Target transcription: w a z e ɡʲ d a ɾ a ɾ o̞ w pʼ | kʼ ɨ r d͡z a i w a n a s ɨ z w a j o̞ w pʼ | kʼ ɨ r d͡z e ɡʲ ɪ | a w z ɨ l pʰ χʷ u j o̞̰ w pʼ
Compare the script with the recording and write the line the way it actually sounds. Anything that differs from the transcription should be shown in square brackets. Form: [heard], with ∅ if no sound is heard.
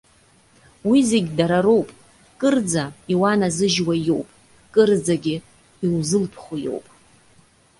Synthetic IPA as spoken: w [i] z e ɡʲ d a ɾ a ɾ o̞ w pʼ | kʼ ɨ r d͡z a i w a n a [z] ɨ [ʒ] w a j o̞ w pʼ | kʼ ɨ r d͡z [a] ɡʲ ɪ | [i] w z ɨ l pʰ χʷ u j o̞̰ w pʼ